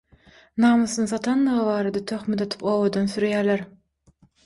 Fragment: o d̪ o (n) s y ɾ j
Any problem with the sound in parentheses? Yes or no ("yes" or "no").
no